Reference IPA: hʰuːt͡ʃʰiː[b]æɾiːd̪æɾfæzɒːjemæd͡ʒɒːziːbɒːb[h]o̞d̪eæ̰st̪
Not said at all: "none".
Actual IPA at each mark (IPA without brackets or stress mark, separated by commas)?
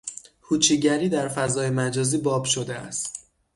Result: ɟ, ʃ